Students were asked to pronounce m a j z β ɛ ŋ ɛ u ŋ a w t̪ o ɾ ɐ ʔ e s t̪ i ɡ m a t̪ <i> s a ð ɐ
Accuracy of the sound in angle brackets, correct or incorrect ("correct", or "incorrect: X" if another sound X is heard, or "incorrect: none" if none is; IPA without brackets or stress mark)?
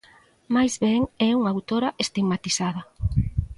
correct